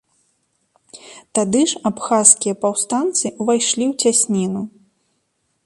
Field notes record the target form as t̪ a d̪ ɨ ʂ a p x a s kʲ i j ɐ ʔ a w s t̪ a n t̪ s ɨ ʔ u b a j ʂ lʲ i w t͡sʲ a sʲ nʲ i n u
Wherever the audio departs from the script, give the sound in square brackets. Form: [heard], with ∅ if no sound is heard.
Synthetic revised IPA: t̪ a d̪ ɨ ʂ a p x a s kʲ i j ɐ [p] a w s t̪ a n t̪ s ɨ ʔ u [v] a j ʂ lʲ i w t͡sʲ a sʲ nʲ i n u